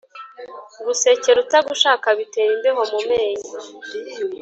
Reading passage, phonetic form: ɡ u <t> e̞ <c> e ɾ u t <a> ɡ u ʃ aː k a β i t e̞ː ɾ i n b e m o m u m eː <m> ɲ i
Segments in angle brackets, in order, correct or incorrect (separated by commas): incorrect, correct, correct, incorrect